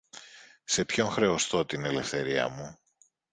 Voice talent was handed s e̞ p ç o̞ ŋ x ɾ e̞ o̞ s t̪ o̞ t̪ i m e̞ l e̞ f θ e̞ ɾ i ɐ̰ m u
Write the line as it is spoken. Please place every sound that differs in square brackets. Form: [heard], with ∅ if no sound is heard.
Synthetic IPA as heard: s e̞ p ç o̞ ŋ x ɾ e̞ o̞ s t̪ o̞ t̪ i [n] e̞ l e̞ f θ e̞ ɾ i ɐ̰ m u